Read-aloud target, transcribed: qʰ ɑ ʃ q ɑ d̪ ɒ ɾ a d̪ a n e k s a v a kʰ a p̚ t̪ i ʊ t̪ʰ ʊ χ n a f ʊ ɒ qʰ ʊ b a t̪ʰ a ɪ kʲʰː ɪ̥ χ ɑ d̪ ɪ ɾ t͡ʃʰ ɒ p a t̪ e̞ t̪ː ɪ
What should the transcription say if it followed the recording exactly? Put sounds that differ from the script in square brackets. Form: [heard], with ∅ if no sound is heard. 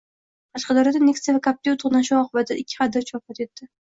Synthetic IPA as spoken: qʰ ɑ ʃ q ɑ d̪ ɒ ɾ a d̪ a n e k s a v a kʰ a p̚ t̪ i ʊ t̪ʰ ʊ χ n a [ʃ] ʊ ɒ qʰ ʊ b a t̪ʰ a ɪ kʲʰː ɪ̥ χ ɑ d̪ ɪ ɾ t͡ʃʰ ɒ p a t̪ e̞ t̪ː ɪ